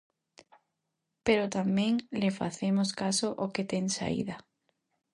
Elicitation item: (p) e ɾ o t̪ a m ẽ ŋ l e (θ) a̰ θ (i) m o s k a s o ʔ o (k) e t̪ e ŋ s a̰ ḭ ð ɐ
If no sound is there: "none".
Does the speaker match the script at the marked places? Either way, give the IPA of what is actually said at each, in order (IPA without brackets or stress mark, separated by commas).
p, f, e, k